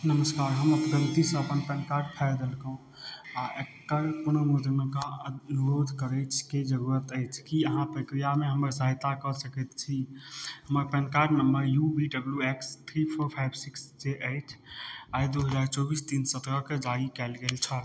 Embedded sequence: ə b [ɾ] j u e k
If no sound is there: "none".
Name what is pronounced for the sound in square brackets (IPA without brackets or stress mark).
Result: l